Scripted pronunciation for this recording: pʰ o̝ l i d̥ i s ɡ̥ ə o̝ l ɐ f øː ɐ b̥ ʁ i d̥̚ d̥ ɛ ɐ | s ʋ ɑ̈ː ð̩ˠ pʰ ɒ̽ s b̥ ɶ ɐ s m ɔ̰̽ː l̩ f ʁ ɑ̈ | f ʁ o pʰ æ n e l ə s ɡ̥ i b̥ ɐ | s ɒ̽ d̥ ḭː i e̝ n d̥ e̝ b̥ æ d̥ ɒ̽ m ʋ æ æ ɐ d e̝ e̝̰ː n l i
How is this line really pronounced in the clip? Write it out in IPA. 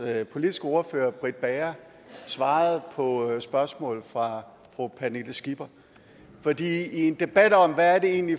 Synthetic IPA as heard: pʰ o̝ l i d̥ i s ɡ̥ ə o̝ ɐ f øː ɐ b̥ ʁ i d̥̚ b̥ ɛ ɐ | s ʋ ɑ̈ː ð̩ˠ pʰ ɒ̽ s b̥ ɶ ɐ s m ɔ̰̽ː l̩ f ʁ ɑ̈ | f ʁ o pʰ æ n e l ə s ɡ̥ i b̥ ɐ | f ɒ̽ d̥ ḭː i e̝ n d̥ e̝ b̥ æ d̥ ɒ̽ m ʋ æ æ ɐ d e̝ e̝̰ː n l i